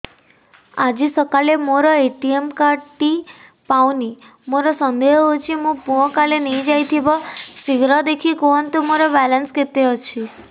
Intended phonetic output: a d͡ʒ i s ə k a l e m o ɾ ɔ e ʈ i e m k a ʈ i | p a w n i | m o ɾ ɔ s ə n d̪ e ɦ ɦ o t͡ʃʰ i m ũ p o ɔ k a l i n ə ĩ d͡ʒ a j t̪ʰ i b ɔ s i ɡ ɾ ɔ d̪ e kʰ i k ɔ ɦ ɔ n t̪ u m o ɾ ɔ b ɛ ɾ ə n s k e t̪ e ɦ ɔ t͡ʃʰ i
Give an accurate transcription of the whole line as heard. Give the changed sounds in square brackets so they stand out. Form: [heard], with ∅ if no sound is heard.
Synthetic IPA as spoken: a d͡ʒ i s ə k a l e m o ɾ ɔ e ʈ i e m k a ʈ i | p a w n i | m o ɾ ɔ s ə n d̪ e ɦ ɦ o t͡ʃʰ i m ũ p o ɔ k a l [e] n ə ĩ d͡ʒ a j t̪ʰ i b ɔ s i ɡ ɾ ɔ d̪ e kʰ i k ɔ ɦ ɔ n t̪ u m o ɾ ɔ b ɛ [l] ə n s k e t̪ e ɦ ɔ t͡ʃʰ i